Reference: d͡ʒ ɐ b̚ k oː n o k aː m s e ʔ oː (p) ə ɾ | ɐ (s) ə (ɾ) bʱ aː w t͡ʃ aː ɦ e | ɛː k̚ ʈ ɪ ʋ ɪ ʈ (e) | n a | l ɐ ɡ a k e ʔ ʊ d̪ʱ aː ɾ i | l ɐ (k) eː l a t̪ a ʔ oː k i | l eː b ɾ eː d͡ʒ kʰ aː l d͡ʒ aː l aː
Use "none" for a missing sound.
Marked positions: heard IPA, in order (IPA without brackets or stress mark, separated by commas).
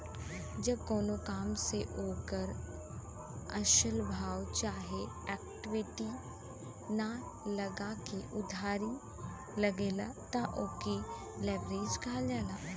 k, ʃ, l, i, ɡ